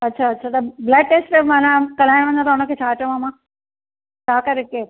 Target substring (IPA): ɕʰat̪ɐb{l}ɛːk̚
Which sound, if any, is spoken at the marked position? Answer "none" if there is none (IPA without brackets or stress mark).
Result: l